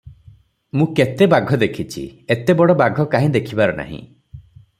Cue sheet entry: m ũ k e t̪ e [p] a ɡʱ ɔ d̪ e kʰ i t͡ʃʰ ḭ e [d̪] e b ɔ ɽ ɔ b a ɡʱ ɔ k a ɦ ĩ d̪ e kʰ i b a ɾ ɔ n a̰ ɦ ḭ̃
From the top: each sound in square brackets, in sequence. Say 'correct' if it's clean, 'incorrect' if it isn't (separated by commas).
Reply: incorrect, incorrect